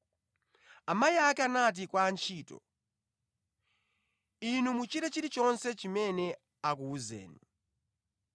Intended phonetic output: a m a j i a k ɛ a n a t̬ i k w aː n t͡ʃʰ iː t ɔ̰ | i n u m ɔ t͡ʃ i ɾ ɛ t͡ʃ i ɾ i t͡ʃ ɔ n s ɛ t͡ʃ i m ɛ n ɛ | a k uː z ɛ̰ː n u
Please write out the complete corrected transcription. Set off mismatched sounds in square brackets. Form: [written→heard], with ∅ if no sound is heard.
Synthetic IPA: a m a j i a k ɛ a n a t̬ i k w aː n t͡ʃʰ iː t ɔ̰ | i n u m [ɔ→u] t͡ʃ i ɾ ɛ t͡ʃ i ɾ i t͡ʃ ɔ n s ɛ t͡ʃ i m ɛ n ɛ | a k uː z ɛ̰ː n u